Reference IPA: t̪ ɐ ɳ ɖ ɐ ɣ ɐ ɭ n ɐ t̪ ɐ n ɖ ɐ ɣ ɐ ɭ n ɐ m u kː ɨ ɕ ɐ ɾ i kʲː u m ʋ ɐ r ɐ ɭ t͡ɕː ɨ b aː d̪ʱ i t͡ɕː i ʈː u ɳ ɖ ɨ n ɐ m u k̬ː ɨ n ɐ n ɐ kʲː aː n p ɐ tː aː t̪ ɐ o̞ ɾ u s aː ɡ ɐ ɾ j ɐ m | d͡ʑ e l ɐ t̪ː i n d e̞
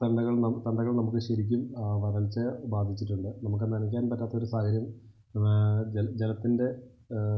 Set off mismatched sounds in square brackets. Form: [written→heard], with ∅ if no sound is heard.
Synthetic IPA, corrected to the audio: t̪ ɐ ɳ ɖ ɐ ɣ ɐ ɭ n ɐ t̪ ɐ [n→ɳ] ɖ ɐ ɣ ɐ ɭ n ɐ m u kː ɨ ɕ ɐ ɾ i kʲː u m ʋ ɐ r ɐ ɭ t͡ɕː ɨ b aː d̪ʱ i t͡ɕː i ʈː u ɳ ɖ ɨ n ɐ m u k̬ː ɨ n ɐ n ɐ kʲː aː n p ɐ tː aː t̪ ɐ o̞ ɾ u s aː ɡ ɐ ɾ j ɐ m | d͡ʑ e l ɐ t̪ː i n d e̞

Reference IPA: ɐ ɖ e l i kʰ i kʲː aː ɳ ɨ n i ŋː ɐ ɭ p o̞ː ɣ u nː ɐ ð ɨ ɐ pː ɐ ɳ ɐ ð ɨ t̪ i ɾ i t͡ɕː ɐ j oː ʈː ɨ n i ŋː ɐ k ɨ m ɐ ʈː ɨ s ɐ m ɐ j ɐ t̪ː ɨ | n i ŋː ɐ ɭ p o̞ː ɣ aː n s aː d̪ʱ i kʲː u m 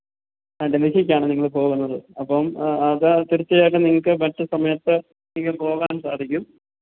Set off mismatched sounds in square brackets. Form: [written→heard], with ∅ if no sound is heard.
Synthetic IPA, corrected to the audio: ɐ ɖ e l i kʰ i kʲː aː ɳ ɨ n i ŋː ɐ ɭ p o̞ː ɣ u nː ɐ ð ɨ ɐ pː ɐ [ɳ→m] ɐ ð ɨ t̪ i ɾ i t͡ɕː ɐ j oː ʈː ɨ n i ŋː ɐ k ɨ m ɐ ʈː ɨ s ɐ m ɐ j ɐ t̪ː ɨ | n i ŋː ɐ ɭ p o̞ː ɣ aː n s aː d̪ʱ i kʲː u m

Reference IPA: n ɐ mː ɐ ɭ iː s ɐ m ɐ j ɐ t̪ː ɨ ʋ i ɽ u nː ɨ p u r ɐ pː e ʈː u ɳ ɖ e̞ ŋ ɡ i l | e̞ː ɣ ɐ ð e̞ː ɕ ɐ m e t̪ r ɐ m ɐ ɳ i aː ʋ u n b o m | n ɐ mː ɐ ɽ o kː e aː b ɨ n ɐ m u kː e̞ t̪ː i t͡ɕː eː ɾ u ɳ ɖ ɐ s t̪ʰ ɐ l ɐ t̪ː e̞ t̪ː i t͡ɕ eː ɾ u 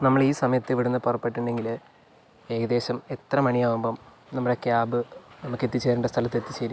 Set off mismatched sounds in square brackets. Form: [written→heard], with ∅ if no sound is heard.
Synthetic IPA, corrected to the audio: n ɐ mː ɐ ɭ iː s ɐ m ɐ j ɐ t̪ː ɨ ʋ i ɽ u nː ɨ p u r ɐ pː e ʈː u ɳ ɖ e̞ ŋ ɡ i l | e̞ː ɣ ɐ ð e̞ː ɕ ɐ m e t̪ r ɐ m ɐ ɳ i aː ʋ u [n→m] b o m | n ɐ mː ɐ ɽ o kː e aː b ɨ n ɐ m u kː e̞ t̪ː i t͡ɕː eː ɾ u ɳ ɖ ɐ s t̪ʰ ɐ l ɐ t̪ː e̞ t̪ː i t͡ɕ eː ɾ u

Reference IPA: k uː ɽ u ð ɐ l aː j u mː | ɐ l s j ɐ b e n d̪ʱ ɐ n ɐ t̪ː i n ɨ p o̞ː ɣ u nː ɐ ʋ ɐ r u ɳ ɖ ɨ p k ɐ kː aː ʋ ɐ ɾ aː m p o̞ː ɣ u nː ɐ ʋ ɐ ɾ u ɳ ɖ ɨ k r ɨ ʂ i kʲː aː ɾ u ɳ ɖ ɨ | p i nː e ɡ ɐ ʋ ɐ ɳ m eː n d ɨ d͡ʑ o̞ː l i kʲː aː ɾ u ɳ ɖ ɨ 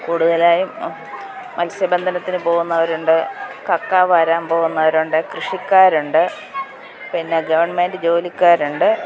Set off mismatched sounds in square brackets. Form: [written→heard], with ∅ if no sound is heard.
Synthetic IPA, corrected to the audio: k uː ɽ u ð ɐ l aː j u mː | ɐ l s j ɐ b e n d̪ʱ ɐ n ɐ t̪ː i n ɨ p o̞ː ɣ u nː ɐ ʋ ɐ [r→ɾ] u ɳ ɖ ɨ [p→∅] k ɐ kː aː ʋ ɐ ɾ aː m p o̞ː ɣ u nː ɐ ʋ ɐ ɾ u ɳ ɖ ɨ k r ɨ ʂ i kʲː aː ɾ u ɳ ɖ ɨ | p i nː e ɡ ɐ ʋ ɐ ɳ m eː n d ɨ d͡ʑ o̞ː l i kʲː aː ɾ u ɳ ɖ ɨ

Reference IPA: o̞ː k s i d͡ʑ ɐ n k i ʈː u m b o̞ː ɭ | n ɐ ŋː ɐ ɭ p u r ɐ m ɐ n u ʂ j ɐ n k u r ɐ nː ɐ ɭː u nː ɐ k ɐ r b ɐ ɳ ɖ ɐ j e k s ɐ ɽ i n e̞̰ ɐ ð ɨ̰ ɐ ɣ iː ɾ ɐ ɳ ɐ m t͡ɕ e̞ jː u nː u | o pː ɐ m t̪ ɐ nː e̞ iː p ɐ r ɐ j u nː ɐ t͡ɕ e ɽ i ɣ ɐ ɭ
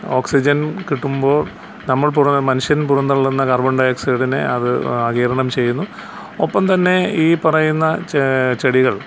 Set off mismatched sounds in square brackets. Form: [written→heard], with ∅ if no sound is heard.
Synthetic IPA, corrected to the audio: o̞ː k s i d͡ʑ ɐ n k i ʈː u m b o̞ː ɭ | n ɐ [ŋː→mː] ɐ ɭ p u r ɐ m ɐ n u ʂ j ɐ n [k→p] u r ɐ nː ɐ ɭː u nː ɐ k ɐ r b ɐ ɳ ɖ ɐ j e k s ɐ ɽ i n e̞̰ ɐ ð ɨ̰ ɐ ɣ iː ɾ ɐ ɳ ɐ m t͡ɕ e̞ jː u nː u | o pː ɐ m t̪ ɐ nː e̞ iː p ɐ r ɐ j u nː ɐ t͡ɕ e ɽ i ɣ ɐ ɭ

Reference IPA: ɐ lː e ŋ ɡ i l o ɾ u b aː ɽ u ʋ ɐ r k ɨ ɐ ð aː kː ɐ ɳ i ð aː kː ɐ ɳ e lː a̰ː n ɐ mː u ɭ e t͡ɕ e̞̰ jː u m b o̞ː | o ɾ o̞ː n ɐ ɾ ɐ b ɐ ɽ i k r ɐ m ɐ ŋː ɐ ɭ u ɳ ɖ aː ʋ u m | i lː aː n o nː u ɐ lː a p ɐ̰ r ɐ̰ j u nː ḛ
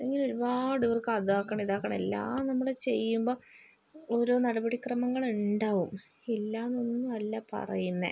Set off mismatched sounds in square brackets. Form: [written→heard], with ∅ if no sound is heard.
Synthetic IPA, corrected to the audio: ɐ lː e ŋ ɡ i l o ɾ u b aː ɽ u ʋ ɐ r k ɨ ɐ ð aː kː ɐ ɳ i ð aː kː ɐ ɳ e lː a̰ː n ɐ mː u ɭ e t͡ɕ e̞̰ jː u m b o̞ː | o ɾ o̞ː n ɐ [ɾ→ɽ] ɐ b ɐ ɽ i k r ɐ m ɐ ŋː ɐ ɭ u ɳ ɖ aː ʋ u m | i lː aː n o nː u ɐ lː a p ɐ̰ r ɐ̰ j u nː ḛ

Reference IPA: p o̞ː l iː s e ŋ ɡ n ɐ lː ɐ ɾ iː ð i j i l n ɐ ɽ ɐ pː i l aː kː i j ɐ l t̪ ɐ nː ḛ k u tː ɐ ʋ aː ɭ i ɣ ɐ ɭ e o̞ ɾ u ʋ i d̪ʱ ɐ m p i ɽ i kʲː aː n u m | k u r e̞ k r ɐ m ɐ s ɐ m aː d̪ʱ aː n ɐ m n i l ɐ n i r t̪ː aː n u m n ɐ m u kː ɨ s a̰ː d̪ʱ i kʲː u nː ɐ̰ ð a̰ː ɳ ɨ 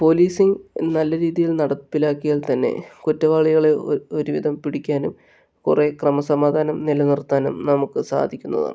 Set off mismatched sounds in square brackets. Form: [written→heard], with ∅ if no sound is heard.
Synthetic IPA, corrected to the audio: p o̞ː l iː s [e→i] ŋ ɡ n ɐ lː ɐ ɾ iː ð i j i l n ɐ ɽ ɐ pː i l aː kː i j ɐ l t̪ ɐ nː ḛ k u tː ɐ ʋ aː ɭ i ɣ ɐ ɭ e o̞ ɾ u ʋ i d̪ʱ ɐ m p i ɽ i kʲː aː n u m | k u r e̞ k r ɐ m ɐ s ɐ m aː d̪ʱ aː n ɐ m n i l ɐ n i r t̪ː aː n u m n ɐ m u kː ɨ s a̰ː d̪ʱ i kʲː u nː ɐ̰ ð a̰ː ɳ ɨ

